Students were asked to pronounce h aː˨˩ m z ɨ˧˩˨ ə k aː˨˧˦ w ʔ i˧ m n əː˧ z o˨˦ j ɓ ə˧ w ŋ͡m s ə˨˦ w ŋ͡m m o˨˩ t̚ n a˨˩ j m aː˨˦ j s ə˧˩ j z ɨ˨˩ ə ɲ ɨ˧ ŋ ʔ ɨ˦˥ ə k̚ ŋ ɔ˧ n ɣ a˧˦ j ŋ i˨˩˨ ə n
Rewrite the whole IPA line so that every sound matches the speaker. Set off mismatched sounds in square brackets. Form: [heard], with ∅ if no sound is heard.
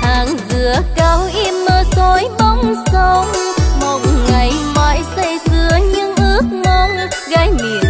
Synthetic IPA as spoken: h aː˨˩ [ŋ] z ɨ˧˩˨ ə k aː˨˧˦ w ʔ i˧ m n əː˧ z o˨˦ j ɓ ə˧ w ŋ͡m s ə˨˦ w ŋ͡m m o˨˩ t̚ [ŋ] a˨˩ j m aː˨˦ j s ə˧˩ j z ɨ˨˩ ə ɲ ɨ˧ ŋ ʔ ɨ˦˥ ə k̚ ŋ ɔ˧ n ɣ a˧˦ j [m] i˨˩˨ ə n